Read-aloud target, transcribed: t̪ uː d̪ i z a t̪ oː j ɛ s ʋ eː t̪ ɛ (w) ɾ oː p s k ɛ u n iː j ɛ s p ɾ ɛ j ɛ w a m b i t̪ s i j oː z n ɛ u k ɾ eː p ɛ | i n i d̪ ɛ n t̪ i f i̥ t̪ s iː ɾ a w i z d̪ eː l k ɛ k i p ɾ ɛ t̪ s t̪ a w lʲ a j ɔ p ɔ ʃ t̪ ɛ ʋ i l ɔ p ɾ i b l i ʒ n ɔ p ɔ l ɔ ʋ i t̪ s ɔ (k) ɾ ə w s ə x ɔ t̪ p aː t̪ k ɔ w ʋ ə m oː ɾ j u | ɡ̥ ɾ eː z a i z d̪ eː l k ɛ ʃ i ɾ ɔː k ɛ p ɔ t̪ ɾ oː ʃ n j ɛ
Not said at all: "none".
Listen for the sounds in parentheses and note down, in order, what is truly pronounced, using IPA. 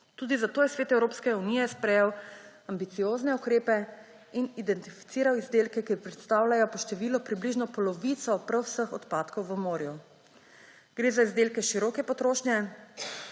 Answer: w, p

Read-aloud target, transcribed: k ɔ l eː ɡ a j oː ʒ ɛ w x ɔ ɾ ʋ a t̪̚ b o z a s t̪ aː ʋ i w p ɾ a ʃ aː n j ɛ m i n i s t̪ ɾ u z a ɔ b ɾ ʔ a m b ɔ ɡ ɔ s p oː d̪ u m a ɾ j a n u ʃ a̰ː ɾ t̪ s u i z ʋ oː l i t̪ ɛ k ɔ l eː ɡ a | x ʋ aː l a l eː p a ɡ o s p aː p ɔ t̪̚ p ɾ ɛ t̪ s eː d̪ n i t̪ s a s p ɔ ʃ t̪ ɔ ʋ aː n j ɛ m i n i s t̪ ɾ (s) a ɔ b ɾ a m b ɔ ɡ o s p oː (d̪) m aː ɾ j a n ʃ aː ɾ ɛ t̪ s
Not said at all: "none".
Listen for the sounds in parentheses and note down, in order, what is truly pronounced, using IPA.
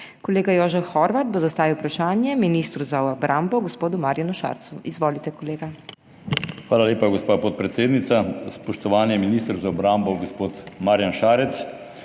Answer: z, t̪

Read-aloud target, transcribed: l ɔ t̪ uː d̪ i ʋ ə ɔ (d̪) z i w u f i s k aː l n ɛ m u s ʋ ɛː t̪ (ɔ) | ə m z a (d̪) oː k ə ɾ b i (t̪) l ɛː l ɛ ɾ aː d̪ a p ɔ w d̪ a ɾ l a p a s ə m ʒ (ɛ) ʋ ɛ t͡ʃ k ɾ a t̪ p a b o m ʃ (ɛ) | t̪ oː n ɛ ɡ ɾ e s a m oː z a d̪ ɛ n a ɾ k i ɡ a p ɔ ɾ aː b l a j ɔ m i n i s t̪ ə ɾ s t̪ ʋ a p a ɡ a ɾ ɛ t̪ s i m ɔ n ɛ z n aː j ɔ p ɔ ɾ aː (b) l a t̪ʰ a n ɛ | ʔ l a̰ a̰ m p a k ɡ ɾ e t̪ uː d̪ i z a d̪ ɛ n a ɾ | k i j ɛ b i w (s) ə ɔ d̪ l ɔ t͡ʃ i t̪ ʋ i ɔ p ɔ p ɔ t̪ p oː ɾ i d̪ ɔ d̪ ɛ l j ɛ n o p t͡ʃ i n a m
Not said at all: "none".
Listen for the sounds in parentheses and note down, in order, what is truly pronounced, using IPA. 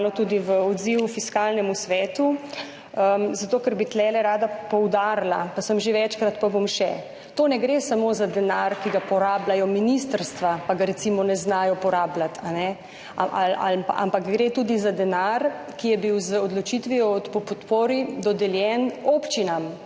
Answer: d̪, u, t̪, t̪, e, ɛ, b, z

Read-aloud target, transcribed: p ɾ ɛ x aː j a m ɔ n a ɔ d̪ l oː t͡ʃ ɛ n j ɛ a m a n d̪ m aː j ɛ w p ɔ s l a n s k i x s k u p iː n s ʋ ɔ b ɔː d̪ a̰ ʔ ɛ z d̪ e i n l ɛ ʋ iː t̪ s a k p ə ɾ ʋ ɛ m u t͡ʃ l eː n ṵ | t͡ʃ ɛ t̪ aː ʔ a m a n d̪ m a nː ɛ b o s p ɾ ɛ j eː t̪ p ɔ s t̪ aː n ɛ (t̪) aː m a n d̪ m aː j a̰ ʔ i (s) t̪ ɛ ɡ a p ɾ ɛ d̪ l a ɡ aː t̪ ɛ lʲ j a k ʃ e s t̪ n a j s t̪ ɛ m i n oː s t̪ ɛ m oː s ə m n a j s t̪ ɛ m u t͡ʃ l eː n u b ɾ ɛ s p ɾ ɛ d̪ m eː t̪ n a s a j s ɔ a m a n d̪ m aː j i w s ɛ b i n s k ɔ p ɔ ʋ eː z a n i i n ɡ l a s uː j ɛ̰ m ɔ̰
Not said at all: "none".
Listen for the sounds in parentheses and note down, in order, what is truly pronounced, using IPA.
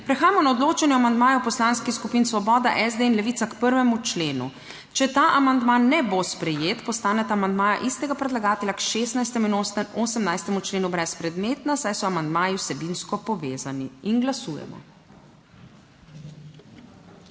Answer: t̪, s

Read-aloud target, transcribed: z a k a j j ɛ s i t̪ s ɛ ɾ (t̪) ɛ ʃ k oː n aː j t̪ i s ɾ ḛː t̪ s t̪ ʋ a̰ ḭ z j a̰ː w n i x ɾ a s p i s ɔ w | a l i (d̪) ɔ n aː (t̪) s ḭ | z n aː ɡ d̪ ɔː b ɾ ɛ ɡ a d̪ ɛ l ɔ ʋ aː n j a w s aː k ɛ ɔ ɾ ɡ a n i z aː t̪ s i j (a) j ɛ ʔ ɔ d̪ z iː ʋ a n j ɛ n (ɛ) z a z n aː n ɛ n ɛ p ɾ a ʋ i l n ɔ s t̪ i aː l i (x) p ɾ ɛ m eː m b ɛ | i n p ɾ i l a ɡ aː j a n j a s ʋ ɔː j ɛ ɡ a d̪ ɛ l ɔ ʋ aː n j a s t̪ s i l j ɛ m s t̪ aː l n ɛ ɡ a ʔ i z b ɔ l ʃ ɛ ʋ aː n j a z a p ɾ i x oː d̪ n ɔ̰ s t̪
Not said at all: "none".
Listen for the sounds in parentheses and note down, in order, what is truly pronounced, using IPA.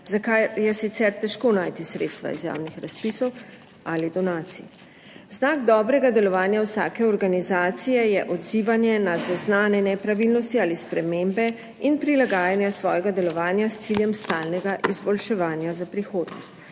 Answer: t̪, d̪, t̪, ɛ, a, s

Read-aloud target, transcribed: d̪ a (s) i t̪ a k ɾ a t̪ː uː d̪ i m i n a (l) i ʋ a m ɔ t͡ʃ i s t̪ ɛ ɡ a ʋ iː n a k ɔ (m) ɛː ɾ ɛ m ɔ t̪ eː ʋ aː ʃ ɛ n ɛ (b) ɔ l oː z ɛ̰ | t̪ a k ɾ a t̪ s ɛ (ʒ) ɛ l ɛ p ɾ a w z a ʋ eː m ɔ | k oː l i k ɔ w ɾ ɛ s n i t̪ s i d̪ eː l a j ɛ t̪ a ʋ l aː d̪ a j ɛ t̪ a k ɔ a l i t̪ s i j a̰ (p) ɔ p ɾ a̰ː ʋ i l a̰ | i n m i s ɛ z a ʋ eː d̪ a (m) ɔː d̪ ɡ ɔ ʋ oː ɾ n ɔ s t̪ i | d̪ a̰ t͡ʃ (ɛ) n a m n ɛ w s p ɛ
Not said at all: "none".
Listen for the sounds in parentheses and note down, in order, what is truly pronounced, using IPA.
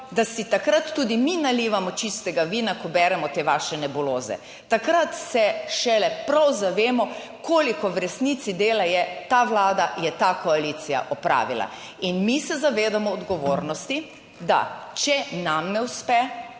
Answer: s, l, b, b, ʃ, ʔ, m, ɛ

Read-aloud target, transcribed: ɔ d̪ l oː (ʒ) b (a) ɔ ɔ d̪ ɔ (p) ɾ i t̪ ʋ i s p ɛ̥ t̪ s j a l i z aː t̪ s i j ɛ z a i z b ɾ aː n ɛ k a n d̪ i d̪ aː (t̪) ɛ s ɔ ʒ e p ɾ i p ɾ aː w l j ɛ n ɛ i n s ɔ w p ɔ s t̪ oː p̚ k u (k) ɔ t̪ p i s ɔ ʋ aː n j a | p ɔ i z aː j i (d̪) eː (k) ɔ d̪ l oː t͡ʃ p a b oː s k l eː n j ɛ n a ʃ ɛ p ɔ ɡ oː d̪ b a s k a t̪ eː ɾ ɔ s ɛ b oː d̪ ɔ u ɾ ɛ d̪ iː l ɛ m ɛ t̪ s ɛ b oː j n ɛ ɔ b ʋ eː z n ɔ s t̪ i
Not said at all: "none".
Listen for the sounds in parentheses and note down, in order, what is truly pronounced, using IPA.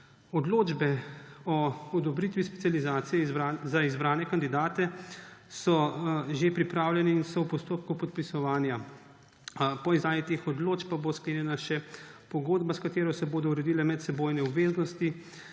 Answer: d͡ʒ, ɛ, b, t̪, p, t̪, x

